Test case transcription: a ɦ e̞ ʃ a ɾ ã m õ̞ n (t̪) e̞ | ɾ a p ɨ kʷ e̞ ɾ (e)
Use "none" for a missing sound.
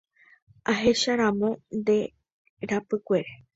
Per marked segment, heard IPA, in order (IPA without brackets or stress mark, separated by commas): d̪, e